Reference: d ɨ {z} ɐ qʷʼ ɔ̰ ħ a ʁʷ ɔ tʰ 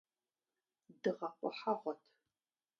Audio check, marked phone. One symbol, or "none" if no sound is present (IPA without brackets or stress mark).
ʁ